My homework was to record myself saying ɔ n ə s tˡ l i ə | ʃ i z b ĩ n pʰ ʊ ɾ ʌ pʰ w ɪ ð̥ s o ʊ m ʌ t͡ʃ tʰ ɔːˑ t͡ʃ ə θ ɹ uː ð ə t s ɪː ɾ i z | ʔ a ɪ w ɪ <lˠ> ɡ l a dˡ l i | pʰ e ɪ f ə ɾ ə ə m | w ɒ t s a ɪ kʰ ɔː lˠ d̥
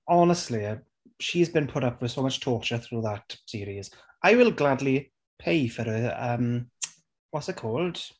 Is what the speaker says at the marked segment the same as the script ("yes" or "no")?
yes